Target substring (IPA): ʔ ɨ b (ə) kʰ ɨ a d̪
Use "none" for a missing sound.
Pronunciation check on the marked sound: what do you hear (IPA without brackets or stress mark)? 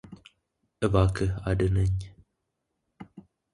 a